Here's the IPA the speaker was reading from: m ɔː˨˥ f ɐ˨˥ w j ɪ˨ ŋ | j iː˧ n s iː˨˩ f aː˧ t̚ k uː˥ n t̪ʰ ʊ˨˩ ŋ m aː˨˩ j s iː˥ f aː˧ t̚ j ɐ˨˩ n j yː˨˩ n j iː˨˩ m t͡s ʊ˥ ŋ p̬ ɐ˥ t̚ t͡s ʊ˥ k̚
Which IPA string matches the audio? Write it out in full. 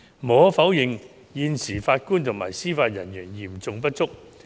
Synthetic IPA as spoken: m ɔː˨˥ f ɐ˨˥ w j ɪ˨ ŋ | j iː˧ n s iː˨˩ f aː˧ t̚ k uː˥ n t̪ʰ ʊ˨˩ ŋ m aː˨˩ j s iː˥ f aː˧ t̚ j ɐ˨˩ n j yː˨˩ n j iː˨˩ m t͡s ʊ˧ ŋ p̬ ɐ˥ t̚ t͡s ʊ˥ k̚